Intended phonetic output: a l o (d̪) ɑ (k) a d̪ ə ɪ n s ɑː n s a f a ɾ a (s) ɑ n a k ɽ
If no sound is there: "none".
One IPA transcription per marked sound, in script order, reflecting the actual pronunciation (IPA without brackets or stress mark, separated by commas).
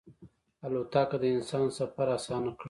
t̪, k, s